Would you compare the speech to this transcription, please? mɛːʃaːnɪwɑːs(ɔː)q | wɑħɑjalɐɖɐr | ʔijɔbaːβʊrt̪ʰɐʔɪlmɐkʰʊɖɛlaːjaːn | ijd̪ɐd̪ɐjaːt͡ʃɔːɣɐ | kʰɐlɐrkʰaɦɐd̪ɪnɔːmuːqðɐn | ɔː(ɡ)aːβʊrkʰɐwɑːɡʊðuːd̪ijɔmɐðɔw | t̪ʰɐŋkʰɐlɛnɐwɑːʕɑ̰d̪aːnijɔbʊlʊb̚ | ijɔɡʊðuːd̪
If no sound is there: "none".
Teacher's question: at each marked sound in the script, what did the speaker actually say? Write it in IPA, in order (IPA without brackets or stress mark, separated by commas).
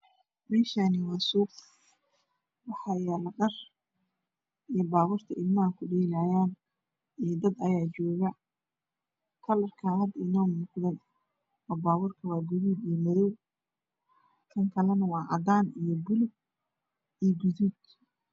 uː, b